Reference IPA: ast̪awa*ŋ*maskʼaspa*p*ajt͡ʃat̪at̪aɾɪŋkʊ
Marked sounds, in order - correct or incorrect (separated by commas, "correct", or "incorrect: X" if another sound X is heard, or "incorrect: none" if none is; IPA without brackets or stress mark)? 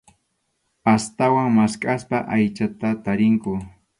correct, incorrect: ʔ